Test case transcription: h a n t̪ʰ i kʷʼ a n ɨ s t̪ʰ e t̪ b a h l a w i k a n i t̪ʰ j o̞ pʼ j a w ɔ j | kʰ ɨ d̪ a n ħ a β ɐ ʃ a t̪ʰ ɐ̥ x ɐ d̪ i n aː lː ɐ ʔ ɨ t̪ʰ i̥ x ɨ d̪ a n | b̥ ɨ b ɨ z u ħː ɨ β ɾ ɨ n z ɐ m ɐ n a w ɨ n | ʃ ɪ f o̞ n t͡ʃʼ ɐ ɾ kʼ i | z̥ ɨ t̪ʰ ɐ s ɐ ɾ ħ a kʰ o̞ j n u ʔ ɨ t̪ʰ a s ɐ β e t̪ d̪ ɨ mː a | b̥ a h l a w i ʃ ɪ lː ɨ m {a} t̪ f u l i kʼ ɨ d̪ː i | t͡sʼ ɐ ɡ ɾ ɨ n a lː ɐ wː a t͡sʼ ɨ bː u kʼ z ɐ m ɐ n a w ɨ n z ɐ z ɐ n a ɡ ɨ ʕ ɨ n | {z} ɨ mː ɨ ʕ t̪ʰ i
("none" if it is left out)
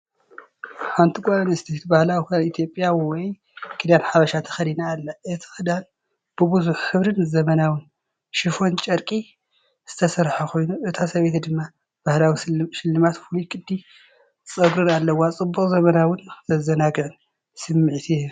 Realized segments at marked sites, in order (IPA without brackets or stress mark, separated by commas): a, s